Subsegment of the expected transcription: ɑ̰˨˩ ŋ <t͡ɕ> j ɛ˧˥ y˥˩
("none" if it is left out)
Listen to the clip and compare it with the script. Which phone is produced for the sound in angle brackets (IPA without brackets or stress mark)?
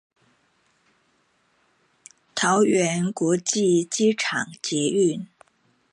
t͡ɕ